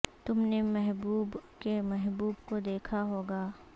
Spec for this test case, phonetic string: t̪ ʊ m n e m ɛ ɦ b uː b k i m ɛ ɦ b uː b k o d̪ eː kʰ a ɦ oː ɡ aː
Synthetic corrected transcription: t̪ ʊ m n e m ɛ ɦ b uː b k e m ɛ ɦ b uː b k o d̪ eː kʰ a ɦ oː ɡ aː